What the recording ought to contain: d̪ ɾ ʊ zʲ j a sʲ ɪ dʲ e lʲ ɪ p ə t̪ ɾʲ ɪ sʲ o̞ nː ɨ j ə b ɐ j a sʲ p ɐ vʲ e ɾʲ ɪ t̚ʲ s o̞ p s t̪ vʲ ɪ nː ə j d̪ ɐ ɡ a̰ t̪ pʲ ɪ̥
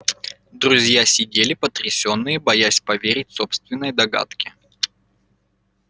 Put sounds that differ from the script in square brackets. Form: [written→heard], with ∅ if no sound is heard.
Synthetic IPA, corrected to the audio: d̪ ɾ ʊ zʲ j a sʲ ɪ dʲ e lʲ ɪ p ə t̪ ɾʲ ɪ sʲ o̞ nː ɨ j ə b ɐ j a sʲ p ɐ vʲ e ɾʲ ɪ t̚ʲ s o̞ p s t̪ vʲ ɪ nː ə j d̪ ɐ ɡ a̰ t̪ [pʲ→kʲ] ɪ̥